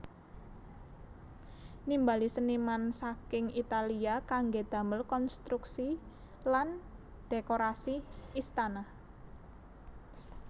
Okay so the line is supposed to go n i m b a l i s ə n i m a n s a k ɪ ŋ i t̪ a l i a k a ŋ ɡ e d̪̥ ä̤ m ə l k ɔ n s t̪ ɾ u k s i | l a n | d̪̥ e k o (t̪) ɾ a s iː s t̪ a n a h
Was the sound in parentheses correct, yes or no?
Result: no